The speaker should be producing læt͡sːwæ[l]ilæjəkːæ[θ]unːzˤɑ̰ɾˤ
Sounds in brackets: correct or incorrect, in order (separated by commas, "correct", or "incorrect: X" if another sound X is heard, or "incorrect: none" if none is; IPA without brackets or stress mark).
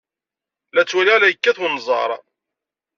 correct, correct